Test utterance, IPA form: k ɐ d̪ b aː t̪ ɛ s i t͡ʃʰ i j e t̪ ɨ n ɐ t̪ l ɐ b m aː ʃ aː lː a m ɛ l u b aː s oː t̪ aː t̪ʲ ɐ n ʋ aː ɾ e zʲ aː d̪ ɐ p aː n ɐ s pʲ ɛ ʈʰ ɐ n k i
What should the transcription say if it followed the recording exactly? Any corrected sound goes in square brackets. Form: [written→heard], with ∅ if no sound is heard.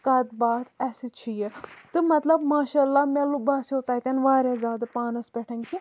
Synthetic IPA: k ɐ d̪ b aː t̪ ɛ s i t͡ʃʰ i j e t̪ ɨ [n→m] ɐ t̪ l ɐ b m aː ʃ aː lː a m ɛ l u b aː s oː t̪ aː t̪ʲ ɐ n ʋ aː ɾ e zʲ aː d̪ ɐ p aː n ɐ s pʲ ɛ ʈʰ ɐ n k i